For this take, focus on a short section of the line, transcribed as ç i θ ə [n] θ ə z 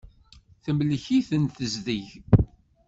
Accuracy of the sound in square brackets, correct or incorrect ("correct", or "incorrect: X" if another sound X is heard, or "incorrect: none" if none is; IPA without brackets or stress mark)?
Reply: correct